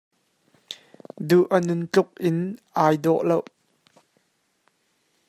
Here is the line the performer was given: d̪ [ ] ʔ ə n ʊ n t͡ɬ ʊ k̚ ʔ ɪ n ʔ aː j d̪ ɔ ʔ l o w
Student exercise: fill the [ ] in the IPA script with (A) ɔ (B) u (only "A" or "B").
B